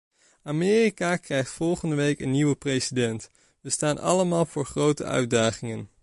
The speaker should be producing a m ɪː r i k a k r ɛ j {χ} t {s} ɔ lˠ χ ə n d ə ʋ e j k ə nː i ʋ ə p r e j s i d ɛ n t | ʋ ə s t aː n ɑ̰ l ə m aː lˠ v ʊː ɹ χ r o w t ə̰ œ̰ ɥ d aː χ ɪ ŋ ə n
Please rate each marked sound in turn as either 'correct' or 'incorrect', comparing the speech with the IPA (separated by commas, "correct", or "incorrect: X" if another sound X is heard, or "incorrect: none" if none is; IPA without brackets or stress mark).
correct, incorrect: f